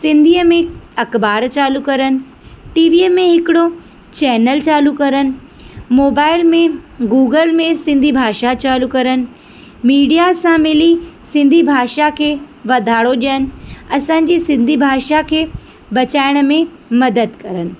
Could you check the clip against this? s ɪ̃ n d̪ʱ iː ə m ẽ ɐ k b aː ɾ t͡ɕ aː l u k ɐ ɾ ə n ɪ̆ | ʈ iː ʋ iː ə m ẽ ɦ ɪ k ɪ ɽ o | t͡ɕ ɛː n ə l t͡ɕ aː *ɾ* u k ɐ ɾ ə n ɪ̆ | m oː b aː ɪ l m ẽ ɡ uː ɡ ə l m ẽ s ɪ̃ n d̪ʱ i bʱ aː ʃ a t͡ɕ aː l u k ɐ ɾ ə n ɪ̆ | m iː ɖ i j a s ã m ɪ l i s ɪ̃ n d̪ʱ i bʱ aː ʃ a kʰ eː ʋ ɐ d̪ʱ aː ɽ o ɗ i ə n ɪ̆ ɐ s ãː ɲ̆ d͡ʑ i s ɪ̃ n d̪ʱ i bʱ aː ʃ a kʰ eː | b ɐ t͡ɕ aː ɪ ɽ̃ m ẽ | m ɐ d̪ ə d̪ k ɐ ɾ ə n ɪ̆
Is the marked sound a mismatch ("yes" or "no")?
yes